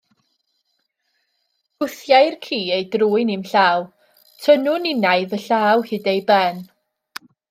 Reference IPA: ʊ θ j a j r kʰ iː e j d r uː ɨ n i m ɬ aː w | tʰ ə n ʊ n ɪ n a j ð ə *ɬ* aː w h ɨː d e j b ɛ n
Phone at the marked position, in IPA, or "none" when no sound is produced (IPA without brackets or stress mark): ɬ